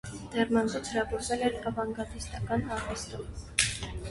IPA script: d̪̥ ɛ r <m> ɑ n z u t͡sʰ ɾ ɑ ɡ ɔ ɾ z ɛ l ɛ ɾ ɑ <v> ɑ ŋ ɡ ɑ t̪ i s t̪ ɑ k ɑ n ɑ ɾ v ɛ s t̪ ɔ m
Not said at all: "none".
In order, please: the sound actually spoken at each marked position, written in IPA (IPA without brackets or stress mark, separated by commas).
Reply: m, v